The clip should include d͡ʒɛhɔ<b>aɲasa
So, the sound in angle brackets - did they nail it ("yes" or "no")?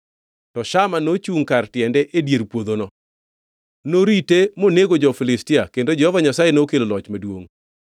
no